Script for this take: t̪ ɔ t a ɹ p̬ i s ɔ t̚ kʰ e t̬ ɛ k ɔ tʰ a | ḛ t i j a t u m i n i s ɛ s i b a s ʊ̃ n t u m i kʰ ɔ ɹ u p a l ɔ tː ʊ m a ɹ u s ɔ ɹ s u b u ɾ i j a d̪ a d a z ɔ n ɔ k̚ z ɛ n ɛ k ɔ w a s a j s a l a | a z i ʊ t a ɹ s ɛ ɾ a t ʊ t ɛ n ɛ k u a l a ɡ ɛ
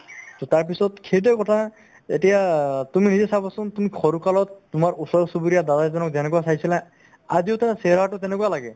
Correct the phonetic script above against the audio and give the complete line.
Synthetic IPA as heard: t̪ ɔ t a ɹ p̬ i s ɔ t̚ kʰ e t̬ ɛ k ɔ tʰ a | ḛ t i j a t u m i n i z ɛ s a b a s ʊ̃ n t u m i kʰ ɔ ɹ u k a l ɔ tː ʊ m a ɹ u s ɔ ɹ s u b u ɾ i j a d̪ a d a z ɔ n ɔ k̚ z ɛ n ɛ k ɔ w a s a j s i l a | a z i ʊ t a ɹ s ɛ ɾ a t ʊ t ɛ n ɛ k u a l a ɡ ɛ